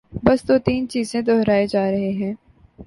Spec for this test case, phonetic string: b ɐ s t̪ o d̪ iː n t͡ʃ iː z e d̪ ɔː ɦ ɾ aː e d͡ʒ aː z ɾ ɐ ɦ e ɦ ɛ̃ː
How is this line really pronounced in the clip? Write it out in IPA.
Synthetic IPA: b ɐ s t̪ o t̪ iː n t͡ʃ iː z ẽ d̪ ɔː ɦ ɾ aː e d͡ʒ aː ɾ ɐ ɦ e ɦ ɛ̃ː